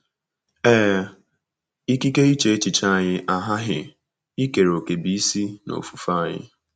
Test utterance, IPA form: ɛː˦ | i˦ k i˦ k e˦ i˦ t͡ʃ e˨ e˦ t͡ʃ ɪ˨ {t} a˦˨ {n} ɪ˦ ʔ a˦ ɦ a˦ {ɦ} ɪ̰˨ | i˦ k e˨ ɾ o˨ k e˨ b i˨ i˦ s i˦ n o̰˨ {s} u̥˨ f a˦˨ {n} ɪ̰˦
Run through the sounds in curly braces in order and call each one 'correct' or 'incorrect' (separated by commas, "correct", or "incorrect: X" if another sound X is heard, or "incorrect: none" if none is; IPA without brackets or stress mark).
incorrect: t͡ʃ, incorrect: ɲ, correct, incorrect: f, incorrect: ɲ